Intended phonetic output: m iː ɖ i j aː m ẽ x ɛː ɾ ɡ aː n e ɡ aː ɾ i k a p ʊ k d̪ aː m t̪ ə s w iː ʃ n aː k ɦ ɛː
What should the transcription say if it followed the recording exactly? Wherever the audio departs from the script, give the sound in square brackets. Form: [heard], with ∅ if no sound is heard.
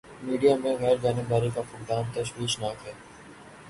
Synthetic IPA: m iː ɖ i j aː m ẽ [ɣ] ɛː ɾ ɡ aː n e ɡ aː ɾ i k a p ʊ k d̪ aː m t̪ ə [ʃ] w iː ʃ n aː k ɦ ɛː

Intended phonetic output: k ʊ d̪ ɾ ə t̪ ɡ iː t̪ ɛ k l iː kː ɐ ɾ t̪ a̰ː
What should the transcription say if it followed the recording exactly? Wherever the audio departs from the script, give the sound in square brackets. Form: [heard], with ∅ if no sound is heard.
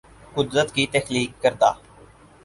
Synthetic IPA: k ʊ d̪ ɾ ə t̪ [k] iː t̪ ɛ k l iː kː [ə] ɾ [d̪] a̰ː

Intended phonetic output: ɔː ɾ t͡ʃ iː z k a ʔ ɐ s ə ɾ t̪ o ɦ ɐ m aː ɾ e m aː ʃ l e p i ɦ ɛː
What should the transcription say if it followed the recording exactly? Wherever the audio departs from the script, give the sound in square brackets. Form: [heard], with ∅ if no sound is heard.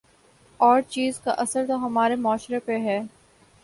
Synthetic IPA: ɔː ɾ t͡ʃ iː z k a ʔ ɐ s ə ɾ t̪ o ɦ ɐ m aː ɾ e m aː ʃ [ɾ] e p [e] ɦ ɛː

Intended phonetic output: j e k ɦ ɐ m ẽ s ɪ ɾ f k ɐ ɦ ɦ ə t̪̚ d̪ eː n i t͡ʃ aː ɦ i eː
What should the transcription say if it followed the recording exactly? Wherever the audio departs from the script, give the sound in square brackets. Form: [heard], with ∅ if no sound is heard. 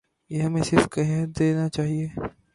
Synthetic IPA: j e [∅] ɦ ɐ m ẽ s ɪ ɾ f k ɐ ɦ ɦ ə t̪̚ d̪ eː n [a] t͡ʃ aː ɦ i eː

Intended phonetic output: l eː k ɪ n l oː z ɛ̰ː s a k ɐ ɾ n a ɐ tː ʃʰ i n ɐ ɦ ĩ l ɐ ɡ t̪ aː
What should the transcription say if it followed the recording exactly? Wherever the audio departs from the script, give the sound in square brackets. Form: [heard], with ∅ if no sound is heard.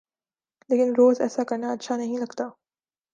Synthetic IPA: l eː k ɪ n [ɾ] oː z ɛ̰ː s a k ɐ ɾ n a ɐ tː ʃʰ [a] n ɐ ɦ ĩ l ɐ ɡ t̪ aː

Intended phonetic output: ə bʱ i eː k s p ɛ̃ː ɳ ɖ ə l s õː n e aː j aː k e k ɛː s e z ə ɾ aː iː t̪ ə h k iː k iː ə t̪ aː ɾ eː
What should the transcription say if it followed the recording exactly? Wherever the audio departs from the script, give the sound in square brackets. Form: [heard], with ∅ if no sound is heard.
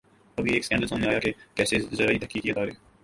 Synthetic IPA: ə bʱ i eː k s [k] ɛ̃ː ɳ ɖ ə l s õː n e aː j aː k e k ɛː s e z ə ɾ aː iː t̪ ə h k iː k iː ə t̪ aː ɾ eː

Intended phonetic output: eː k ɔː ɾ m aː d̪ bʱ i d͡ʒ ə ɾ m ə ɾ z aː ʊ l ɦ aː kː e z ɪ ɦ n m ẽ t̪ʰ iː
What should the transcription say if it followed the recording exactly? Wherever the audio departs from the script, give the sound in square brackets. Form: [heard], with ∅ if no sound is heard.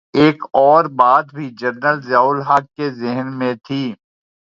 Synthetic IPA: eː k ɔː ɾ [b] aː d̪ bʱ i d͡ʒ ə ɾ [n] ə [l] z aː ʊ l ɦ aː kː e z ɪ ɦ n m ẽ t̪ʰ iː

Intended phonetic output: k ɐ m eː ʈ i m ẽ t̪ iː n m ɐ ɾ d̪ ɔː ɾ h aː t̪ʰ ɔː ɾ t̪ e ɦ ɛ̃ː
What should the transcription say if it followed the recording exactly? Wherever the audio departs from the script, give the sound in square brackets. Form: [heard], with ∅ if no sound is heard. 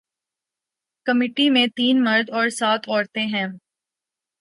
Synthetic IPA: k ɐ m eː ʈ i m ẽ t̪ iː n m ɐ ɾ d̪ ɔː ɾ [s] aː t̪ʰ ɔː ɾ t̪ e ɦ ɛ̃ː

